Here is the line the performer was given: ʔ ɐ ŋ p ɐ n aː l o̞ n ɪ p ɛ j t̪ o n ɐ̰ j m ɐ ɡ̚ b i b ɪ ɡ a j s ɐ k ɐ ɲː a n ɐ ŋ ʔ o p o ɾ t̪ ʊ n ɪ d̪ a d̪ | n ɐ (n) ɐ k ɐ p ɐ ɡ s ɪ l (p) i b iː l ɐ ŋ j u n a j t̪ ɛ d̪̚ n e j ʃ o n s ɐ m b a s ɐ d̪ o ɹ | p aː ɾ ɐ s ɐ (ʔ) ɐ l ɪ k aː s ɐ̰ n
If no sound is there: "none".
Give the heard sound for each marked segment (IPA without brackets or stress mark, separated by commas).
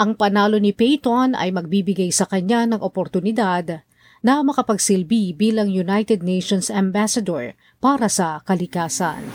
m, b, k